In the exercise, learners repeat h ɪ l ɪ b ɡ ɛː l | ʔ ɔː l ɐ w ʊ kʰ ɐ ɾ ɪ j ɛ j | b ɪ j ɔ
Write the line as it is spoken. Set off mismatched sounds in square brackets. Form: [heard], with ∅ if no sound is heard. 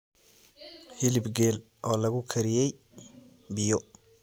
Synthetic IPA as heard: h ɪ l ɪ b ɡ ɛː l | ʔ ɔː l ɐ [ɣ] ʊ kʰ ɐ ɾ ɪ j ɛ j | b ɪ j ɔ